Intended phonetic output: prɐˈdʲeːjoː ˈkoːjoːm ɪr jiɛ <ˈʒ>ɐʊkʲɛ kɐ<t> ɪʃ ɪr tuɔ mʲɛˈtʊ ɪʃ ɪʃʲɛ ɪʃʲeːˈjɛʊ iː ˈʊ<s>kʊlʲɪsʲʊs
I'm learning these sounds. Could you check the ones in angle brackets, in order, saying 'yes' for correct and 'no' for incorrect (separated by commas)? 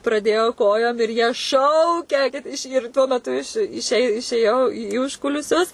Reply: no, yes, no